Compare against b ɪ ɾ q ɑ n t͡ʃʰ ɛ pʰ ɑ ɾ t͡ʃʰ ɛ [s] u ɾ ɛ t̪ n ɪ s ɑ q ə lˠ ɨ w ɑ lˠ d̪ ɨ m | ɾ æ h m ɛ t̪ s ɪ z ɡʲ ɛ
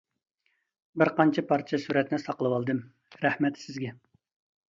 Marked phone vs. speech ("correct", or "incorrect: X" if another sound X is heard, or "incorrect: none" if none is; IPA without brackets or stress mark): correct